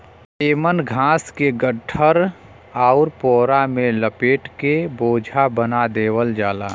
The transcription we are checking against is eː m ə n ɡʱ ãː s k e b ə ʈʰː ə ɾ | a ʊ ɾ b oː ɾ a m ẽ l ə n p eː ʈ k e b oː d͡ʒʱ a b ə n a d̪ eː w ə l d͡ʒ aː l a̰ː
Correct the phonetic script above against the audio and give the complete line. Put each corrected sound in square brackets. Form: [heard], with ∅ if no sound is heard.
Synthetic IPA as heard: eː m ə n ɡʱ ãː s k e [ɡ] ə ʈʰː ə ɾ | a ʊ ɾ [p] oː ɾ a m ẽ l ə [∅] p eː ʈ k e b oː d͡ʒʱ a b ə n a d̪ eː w ə l d͡ʒ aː l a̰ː